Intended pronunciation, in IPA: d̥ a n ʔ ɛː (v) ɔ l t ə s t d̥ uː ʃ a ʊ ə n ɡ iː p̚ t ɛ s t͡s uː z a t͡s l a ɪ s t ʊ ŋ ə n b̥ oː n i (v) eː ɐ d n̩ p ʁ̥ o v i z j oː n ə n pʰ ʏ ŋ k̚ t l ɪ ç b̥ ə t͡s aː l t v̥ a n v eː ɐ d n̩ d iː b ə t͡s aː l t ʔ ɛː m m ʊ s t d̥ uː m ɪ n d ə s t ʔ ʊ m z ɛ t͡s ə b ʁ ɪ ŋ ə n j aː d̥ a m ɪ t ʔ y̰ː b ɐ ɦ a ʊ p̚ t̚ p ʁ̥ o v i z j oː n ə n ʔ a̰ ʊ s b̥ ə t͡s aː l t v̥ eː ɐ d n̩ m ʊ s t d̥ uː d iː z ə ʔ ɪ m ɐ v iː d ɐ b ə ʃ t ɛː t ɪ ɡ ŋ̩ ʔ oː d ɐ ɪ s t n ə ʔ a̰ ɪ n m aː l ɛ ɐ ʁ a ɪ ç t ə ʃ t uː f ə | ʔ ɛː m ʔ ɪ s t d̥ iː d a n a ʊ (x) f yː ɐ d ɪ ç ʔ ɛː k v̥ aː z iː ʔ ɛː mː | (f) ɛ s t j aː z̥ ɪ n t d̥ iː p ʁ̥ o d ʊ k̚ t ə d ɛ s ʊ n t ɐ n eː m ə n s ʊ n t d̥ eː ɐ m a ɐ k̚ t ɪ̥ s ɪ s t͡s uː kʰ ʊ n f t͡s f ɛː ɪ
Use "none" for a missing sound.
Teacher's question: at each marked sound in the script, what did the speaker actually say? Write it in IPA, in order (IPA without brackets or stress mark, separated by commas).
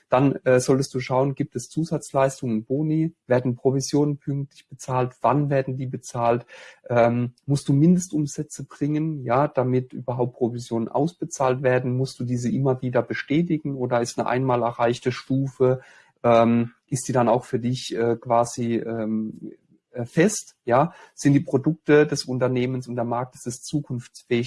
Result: z, v, x, f